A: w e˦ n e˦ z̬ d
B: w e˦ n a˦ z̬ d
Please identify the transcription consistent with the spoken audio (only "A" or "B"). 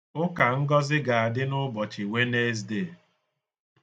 A